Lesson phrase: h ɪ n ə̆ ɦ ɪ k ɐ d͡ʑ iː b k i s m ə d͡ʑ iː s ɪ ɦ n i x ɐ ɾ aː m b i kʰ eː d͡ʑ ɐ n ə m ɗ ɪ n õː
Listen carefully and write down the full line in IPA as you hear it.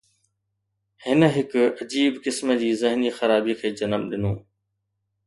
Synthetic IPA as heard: h ɪ n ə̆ ɦ ɪ k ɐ d͡ʑ iː b k ɪ s m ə d͡ʑ iː z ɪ ɦ n i x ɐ ɾ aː b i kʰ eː d͡ʑ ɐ n ə m ɗ ɪ n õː